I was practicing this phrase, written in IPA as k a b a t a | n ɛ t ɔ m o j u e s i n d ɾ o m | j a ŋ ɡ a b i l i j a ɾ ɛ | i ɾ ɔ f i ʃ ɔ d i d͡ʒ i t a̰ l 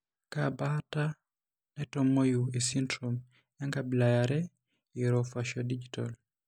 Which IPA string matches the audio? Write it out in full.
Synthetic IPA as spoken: k a b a t a | n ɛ t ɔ m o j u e s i n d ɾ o m | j a ŋ ɡ a b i l a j a ɾ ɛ | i ɾ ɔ f a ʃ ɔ d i d͡ʒ i t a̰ l